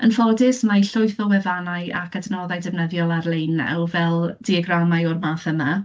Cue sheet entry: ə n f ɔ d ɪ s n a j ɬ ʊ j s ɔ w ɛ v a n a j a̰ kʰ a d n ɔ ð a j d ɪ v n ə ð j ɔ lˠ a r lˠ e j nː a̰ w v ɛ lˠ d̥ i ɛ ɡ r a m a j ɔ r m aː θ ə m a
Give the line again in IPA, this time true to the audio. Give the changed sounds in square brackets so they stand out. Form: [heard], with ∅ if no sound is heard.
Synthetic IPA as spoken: ə n f ɔ d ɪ s [m] a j ɬ ʊ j [θ] ɔ w ɛ v a n a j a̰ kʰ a d n ɔ ð a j d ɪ v n ə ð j ɔ lˠ a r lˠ e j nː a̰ w v ɛ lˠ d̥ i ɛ ɡ r a m a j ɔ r m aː θ ə m a